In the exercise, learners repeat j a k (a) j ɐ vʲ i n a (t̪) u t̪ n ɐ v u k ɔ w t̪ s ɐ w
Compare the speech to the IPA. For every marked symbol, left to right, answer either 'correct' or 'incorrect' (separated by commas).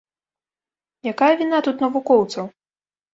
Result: correct, correct